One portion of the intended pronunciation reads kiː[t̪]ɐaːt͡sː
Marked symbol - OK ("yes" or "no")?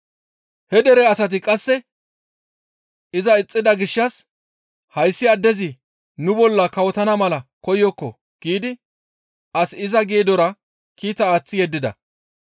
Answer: yes